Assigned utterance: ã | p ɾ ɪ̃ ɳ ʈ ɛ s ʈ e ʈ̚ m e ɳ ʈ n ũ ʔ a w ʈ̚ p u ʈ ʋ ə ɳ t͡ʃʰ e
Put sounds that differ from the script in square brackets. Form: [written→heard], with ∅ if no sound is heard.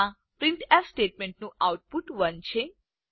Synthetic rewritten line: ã | p ɾ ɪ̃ ɳ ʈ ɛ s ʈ e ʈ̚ m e ɳ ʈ n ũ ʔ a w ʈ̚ p u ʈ ʋ ə [ɳ→n] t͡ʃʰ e